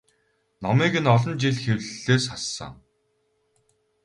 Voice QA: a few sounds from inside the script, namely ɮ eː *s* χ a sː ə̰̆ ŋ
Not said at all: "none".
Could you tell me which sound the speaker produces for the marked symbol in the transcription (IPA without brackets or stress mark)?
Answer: s